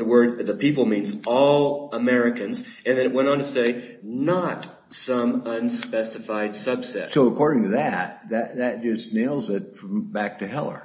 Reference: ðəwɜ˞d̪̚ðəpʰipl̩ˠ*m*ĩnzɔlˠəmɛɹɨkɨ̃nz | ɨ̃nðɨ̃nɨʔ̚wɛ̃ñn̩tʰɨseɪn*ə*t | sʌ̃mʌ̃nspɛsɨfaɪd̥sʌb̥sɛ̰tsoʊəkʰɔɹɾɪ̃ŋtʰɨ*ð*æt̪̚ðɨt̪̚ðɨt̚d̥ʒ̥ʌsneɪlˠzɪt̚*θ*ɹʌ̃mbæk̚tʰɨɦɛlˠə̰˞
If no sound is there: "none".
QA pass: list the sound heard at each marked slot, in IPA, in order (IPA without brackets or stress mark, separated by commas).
m, ə, ð, f